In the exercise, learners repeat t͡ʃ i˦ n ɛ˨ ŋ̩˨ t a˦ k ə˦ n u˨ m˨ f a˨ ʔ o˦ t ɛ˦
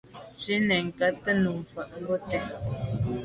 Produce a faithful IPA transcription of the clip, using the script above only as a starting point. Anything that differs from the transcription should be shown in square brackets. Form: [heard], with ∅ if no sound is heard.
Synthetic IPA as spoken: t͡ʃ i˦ n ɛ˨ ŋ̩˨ [k] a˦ [t] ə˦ n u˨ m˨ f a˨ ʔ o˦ t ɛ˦